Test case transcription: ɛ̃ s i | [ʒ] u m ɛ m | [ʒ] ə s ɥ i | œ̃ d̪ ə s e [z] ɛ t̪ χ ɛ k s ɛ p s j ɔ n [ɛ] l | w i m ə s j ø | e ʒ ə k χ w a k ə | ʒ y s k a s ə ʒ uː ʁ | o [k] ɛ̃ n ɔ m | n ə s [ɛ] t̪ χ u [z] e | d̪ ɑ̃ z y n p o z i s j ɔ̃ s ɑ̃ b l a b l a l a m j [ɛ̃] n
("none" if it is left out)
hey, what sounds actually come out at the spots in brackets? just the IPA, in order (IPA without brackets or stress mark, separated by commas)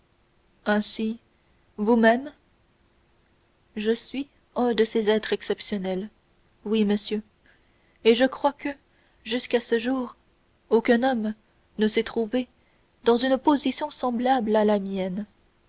v, ʒ, z, ɛ, k, ɛ, v, ɛ